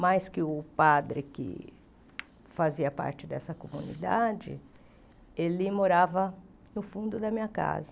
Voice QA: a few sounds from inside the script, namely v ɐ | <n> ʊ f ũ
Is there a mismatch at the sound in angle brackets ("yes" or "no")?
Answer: no